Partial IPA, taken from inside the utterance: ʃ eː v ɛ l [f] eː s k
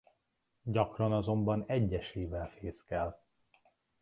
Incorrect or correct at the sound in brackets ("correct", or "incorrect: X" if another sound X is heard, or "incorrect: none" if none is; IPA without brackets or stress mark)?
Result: correct